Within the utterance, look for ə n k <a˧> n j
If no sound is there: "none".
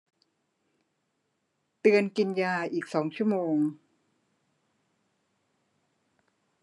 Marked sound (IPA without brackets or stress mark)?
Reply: i˧